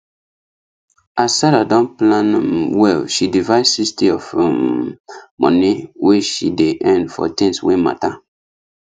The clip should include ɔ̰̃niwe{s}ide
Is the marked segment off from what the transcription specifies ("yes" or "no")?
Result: yes